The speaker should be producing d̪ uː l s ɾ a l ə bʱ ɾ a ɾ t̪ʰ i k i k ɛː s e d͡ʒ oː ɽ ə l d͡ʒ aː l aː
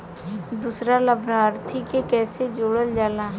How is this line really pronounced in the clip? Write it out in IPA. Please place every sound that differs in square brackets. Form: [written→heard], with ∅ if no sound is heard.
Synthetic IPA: d̪ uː [l→∅] s ɾ a l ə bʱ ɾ a ɾ t̪ʰ i k [i→e] k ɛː s e d͡ʒ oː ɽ ə l d͡ʒ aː l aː